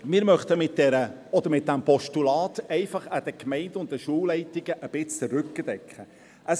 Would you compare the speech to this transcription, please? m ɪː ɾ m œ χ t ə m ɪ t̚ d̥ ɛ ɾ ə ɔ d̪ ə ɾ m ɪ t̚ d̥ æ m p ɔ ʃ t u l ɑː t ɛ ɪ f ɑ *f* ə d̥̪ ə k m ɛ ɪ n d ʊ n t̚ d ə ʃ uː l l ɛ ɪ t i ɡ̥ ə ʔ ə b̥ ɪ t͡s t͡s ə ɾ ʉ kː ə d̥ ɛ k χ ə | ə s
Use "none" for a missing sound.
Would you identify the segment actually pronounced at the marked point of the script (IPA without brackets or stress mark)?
χ